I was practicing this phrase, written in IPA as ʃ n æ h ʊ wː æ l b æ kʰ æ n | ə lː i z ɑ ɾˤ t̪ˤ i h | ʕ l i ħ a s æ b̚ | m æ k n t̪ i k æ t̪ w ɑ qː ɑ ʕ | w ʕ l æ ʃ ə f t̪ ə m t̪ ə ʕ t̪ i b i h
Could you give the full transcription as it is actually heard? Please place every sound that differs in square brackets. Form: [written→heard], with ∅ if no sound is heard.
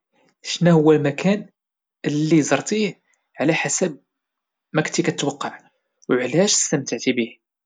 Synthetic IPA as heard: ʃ n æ h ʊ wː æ l [b→m] æ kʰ æ n | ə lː i z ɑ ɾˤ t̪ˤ i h | ʕ l [i→æ] ħ a s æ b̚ | m æ k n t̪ i k æ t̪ w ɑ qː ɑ ʕ | w ʕ l æ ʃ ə [f→s] t̪ ə m t̪ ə ʕ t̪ i b i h